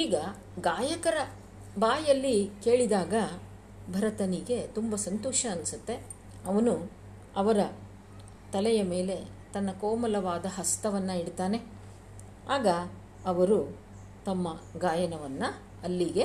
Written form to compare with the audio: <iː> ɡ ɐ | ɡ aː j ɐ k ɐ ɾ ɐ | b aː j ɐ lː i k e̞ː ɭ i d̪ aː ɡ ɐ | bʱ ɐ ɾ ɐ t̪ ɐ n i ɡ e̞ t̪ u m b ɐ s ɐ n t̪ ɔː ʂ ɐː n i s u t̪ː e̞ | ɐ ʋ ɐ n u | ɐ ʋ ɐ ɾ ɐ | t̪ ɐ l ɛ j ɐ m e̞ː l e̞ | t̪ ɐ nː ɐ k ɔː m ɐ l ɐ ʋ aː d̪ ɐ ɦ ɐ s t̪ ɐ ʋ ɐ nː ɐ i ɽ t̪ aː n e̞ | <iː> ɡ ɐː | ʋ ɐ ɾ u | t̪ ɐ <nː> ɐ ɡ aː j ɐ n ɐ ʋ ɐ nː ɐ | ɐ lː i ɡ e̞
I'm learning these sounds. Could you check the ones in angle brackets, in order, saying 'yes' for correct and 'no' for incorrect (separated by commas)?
yes, no, no